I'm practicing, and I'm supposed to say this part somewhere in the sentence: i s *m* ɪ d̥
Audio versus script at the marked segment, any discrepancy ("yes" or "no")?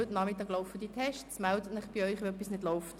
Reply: yes